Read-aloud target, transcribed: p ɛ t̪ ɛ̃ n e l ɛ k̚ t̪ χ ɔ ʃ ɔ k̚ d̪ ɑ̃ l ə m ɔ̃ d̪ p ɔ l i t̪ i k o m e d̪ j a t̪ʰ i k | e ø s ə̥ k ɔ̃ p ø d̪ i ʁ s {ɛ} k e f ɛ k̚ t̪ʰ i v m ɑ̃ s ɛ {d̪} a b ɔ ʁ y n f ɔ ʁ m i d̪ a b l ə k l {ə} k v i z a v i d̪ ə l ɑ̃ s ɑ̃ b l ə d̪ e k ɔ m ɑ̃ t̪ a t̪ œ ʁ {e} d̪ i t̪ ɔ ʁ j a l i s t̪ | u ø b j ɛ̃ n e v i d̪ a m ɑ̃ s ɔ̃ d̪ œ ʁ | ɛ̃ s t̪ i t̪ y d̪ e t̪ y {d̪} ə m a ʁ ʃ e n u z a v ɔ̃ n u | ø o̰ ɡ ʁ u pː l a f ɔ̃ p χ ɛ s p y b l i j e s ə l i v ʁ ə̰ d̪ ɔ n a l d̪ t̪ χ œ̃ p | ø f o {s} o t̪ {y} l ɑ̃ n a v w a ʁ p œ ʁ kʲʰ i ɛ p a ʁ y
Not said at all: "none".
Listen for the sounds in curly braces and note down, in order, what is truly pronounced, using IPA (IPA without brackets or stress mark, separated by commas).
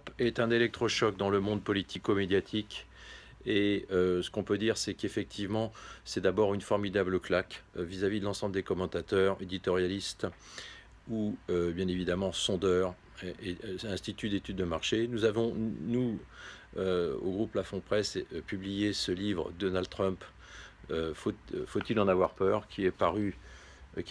ɛ, d̪, a, e, d̪ː, f, i